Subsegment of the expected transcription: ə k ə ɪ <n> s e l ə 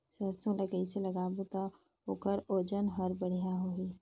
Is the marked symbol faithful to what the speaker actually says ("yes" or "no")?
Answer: no